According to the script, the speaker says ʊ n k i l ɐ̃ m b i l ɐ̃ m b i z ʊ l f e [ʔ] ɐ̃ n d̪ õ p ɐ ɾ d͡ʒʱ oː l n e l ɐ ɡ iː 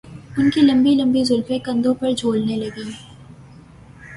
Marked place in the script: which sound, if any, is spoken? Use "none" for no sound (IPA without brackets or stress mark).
k